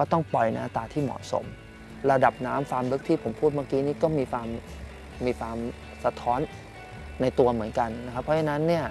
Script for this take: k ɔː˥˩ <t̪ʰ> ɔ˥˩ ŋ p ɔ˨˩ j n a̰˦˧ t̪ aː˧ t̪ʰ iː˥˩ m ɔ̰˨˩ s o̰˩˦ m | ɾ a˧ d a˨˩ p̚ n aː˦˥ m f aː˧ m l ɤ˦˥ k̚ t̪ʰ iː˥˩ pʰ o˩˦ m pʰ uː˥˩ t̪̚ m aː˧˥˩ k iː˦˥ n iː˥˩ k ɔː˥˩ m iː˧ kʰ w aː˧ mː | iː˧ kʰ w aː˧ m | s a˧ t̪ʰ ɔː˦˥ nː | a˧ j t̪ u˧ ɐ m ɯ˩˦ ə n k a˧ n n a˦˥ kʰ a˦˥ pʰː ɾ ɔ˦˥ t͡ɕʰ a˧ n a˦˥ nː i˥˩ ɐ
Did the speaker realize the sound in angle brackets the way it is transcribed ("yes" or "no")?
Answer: no